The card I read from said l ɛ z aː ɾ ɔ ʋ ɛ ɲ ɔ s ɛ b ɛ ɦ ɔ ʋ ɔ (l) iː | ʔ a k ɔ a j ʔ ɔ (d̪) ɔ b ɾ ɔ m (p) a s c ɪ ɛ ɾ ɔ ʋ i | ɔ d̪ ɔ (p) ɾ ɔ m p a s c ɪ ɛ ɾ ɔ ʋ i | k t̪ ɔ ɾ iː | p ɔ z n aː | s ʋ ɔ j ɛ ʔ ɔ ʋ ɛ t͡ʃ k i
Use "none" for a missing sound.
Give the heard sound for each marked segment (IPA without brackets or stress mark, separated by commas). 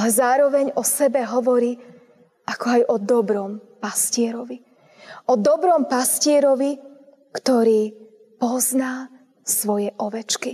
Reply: ɾ, d̪, p, b